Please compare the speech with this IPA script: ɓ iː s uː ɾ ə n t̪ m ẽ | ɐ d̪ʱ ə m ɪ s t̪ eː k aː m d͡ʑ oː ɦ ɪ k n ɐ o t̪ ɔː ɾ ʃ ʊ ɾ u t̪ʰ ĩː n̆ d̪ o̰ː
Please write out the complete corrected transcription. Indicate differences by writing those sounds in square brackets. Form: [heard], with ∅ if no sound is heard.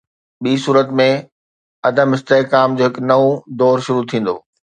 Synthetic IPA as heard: ɓ iː s uː ɾ ə [∅] t̪ m ẽ | ɐ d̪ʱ ə m ɪ s t̪ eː k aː m d͡ʑ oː ɦ ɪ k n ɐ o [d̪] ɔː ɾ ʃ ʊ ɾ u t̪ʰ ĩː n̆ d̪ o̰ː